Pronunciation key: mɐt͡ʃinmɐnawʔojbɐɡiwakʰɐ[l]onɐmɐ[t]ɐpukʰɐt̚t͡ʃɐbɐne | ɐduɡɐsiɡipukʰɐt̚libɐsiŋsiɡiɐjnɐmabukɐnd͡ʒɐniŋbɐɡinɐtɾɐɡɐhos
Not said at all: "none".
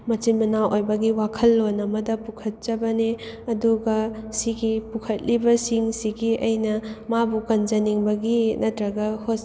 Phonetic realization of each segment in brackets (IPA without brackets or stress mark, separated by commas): lː, d